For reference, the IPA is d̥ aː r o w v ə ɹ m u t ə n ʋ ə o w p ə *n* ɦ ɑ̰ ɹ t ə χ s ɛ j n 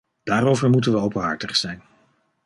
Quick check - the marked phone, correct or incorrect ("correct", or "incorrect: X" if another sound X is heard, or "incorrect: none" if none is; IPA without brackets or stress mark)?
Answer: correct